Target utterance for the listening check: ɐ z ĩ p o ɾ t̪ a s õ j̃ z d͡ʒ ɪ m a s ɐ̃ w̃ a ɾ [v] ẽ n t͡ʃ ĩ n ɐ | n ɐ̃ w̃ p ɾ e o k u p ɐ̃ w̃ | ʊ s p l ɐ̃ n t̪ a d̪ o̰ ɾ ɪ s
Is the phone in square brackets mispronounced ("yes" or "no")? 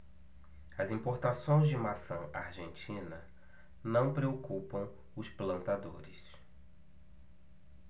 yes